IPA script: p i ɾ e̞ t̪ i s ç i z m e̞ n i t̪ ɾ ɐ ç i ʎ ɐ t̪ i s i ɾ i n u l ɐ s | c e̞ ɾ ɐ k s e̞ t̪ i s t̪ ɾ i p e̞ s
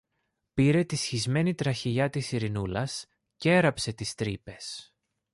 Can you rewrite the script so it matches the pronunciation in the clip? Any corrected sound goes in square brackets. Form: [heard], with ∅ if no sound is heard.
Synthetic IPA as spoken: p i ɾ e̞ t̪ i s ç i z m e̞ n i t̪ ɾ ɐ ç i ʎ ɐ t̪ i s i ɾ i n u l ɐ s | c e̞ ɾ ɐ [p] s e̞ t̪ i s t̪ ɾ i p e̞ s